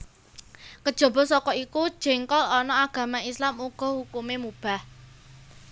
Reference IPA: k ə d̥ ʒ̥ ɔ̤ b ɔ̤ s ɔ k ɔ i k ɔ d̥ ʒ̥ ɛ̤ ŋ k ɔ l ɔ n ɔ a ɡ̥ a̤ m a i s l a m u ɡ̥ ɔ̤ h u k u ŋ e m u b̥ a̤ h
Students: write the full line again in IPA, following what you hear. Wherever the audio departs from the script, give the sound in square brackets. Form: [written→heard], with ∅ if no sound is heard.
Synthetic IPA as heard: k ə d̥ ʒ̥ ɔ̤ b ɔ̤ s ɔ k ɔ i k [ɔ→u] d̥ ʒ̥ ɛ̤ ŋ k ɔ l ɔ n ɔ a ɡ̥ a̤ m a i s l a m u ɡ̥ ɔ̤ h u k u [ŋ→m] e m u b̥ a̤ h